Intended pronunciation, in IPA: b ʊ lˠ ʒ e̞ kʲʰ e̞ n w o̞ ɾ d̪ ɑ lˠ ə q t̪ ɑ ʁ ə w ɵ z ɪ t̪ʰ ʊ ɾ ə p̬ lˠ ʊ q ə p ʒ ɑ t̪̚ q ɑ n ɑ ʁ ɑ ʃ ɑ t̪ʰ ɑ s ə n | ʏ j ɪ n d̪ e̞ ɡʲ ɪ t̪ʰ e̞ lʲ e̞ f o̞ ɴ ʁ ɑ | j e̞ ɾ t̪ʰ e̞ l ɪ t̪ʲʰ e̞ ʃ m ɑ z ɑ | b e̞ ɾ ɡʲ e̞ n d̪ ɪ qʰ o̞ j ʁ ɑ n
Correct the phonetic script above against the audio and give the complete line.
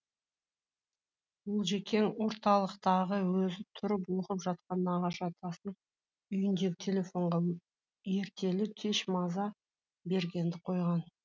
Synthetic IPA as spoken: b ʊ lˠ ʒ e̞ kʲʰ e̞ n w o̞ ɾ t̪ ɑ lˠ ə q t̪ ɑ ʁ ə w ɵ z ɪ t̪ʰ ʊ ɾ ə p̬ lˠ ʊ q ə p ʒ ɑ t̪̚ q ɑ n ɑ ʁ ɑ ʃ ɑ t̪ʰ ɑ s ə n | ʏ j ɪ n d̪ e̞ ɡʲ ɪ t̪ʰ e̞ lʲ e̞ f o̞ ɴ ʁ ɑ | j e̞ ɾ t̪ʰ e̞ l ɪ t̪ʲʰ e̞ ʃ m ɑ z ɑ | b e̞ ɾ ɡʲ e̞ n d̪ ɪ qʰ o̞ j ʁ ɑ n